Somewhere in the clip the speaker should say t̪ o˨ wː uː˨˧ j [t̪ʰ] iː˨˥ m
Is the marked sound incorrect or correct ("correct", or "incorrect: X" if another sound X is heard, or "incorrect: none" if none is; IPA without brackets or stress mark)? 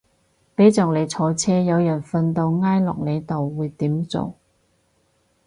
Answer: incorrect: t̪